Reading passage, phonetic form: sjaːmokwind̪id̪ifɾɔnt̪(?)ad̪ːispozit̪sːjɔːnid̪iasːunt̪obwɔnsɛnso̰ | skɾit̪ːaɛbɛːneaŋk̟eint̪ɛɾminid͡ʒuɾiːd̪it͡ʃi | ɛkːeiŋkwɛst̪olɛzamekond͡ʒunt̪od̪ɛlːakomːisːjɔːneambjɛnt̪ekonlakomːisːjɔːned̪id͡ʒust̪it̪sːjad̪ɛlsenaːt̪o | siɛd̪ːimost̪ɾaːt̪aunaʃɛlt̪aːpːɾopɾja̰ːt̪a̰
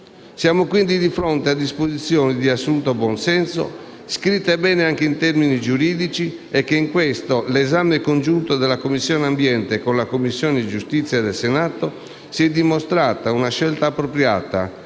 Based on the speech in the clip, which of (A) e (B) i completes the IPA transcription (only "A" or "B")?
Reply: A